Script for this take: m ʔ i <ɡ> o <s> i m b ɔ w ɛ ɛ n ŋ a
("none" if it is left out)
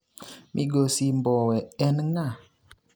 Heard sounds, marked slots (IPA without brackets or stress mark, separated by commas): ɡ, s